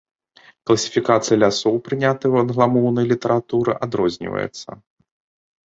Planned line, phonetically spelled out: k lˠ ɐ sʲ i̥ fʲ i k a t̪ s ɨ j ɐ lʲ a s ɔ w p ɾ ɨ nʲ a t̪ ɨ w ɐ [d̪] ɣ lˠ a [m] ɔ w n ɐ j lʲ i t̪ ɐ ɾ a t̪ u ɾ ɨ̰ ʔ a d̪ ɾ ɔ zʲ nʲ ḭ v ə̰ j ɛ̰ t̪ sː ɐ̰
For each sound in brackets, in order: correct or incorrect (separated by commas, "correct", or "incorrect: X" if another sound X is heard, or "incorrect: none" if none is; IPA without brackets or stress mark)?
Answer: correct, correct